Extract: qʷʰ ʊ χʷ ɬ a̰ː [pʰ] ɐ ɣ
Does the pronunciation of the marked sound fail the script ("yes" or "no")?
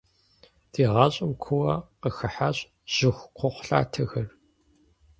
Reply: yes